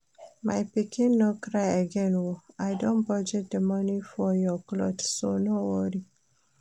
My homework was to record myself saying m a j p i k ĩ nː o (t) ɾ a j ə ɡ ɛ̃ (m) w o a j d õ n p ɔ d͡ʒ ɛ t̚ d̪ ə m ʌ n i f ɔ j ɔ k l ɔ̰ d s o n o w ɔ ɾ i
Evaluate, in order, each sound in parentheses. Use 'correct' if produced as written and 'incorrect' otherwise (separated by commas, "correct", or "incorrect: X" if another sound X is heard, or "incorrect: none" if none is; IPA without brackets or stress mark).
incorrect: k, incorrect: n